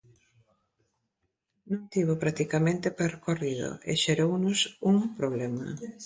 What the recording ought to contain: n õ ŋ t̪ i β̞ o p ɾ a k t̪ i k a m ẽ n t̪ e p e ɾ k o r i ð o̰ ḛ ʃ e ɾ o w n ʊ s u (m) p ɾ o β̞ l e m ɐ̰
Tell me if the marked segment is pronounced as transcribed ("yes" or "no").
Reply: no